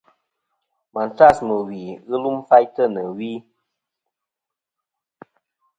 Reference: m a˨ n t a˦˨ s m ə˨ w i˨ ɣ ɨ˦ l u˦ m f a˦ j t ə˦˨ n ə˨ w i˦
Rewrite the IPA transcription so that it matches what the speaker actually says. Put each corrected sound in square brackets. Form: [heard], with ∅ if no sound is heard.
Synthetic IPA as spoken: m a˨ n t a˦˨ s m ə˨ w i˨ ɣ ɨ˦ l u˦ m f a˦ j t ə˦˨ n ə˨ w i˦